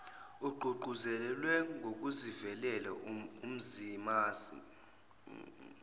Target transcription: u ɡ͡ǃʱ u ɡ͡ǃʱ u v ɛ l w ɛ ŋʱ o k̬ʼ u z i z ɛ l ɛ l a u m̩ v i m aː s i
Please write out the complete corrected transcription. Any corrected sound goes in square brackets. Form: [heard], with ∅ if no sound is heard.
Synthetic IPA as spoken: u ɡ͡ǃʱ u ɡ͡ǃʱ u [z] ɛ l w ɛ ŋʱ o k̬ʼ u z i [v] ɛ l ɛ l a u m̩ [z] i m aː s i